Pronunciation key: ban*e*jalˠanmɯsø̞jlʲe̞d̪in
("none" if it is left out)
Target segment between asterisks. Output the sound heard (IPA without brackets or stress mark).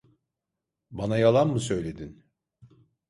a